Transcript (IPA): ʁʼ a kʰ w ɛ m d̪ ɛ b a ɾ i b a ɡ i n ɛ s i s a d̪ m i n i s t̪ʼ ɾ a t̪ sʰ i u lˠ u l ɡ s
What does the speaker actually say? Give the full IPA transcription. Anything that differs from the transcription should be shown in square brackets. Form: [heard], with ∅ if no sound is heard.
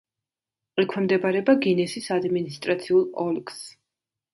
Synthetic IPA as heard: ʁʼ [i] kʰ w ɛ m d̪ ɛ b a ɾ [ɛ] b a ɡ i n ɛ s i s a d̪ m i n i s t̪ʼ ɾ a t̪ sʰ i u lˠ [ɔ] l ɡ s